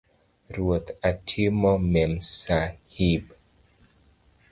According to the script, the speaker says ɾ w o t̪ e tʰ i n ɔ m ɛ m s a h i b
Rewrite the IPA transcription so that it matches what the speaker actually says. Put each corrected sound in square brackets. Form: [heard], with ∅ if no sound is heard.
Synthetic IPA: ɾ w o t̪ [a] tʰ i [m] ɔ m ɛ m s a h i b